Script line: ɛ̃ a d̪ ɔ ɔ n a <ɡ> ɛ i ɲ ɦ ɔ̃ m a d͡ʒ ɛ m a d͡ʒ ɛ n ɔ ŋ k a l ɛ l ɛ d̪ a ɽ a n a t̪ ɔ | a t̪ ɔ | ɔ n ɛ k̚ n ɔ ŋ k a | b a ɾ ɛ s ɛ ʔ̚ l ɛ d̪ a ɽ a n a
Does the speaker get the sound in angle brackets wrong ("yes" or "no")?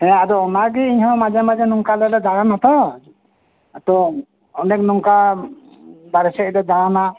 no